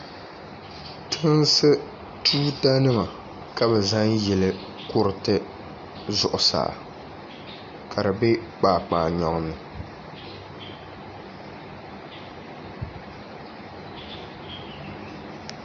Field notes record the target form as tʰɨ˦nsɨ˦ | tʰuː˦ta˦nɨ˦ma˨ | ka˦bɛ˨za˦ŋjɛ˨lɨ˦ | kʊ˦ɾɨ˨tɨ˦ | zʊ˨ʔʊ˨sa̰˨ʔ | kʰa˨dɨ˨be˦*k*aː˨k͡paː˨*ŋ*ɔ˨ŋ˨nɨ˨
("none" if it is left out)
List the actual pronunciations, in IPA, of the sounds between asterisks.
k͡p, ɲ

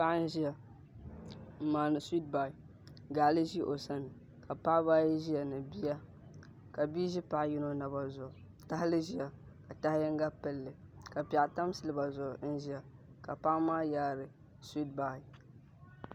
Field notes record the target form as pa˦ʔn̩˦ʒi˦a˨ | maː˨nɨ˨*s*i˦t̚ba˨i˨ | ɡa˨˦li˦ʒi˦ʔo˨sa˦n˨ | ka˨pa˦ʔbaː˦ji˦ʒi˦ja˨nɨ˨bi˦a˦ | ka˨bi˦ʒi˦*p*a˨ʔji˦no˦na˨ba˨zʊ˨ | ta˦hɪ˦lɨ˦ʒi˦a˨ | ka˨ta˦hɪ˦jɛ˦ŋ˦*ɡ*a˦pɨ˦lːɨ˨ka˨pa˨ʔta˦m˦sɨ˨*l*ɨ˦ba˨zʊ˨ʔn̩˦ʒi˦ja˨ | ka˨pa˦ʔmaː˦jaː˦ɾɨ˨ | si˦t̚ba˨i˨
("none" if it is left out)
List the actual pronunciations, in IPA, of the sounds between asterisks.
s, p, ɡ, l

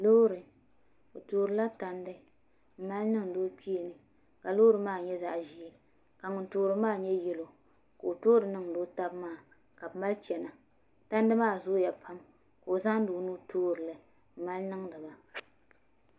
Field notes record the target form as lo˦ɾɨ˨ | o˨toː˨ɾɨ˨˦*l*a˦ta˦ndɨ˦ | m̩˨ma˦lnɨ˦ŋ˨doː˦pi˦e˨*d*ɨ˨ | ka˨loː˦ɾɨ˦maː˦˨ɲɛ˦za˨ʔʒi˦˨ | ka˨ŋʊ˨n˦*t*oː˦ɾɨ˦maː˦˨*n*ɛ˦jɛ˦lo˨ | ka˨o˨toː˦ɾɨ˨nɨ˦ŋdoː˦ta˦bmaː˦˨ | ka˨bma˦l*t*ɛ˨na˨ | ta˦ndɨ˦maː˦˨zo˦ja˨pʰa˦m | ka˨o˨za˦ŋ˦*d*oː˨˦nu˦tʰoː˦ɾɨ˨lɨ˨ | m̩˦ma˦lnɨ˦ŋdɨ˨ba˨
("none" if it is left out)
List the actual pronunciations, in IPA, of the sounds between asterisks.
l, n, t, ɲ, t͡ʃ, d

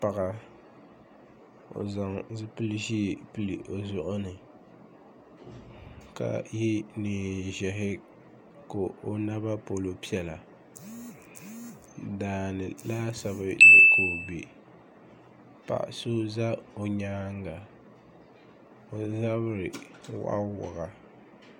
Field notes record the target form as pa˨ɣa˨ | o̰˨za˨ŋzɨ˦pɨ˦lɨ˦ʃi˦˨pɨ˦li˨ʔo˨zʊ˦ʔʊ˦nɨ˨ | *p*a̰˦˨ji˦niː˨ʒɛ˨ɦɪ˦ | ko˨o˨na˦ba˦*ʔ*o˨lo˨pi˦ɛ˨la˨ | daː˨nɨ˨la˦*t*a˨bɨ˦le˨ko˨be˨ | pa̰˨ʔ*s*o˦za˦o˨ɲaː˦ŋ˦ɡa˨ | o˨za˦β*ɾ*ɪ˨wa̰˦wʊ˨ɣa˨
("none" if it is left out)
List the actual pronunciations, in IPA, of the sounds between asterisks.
k, p, s, s, ɾ

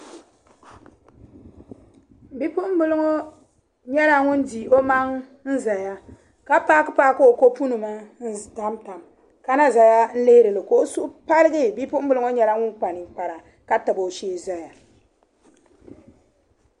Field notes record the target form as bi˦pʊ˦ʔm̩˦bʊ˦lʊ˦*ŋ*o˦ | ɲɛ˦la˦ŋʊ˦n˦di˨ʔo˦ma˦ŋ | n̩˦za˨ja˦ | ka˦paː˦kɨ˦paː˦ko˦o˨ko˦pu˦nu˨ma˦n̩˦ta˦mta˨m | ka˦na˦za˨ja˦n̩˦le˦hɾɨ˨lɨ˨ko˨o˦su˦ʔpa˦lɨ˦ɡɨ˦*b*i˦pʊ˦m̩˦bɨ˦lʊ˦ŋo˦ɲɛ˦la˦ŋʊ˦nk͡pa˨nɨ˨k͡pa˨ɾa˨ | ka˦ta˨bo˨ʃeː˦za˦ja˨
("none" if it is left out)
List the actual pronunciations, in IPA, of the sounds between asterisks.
ŋ, b

